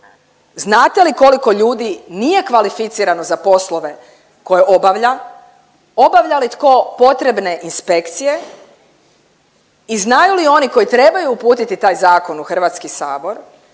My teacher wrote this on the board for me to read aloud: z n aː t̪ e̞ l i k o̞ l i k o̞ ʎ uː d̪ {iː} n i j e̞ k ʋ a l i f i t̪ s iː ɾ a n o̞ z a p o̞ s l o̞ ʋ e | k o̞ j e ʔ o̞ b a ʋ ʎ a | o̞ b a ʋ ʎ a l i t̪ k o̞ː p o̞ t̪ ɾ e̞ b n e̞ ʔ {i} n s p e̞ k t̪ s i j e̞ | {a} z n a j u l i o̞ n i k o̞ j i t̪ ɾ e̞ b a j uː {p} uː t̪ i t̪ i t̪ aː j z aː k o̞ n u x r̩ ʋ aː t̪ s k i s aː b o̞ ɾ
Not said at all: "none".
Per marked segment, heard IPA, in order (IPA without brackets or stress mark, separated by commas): i, i, i, p